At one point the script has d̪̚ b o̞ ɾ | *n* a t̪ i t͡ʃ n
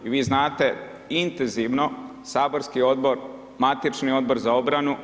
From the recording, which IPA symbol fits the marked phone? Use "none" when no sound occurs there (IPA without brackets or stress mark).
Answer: m